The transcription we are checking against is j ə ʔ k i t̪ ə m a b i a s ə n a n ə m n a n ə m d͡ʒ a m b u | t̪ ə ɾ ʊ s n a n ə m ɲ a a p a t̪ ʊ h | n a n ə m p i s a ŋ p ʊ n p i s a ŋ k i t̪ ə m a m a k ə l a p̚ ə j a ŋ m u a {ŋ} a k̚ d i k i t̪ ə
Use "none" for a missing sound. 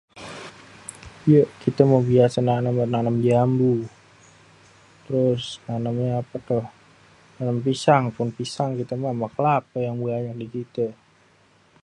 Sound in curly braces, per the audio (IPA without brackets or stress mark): ɲ